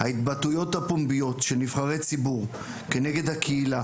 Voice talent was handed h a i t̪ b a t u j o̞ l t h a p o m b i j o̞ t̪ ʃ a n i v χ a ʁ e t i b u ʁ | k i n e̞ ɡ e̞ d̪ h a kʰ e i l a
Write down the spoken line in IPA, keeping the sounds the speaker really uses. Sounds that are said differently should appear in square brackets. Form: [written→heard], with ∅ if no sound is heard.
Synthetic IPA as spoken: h a i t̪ b a t u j o̞ [l→∅] t h a p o m b i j o̞ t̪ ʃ [a→e] n i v χ a ʁ e [t→t͡s] i b u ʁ | k [i→e] n e̞ ɡ e̞ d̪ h a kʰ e i l a